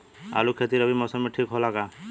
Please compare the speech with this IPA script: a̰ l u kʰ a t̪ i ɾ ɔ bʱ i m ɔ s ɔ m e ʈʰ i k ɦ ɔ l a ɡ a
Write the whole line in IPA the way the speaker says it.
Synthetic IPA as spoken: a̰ l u kʰ e t̪ i ɾ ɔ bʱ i m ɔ s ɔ m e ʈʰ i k ɦ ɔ l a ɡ a